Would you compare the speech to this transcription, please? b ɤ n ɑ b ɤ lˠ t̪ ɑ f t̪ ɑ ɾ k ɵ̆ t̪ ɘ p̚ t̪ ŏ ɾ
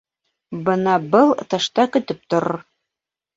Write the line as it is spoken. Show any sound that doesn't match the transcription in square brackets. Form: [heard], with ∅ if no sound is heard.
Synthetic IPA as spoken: b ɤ n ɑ b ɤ lˠ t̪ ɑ [ʃ] t̪ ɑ [∅] k ɵ̆ t̪ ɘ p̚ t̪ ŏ ɾ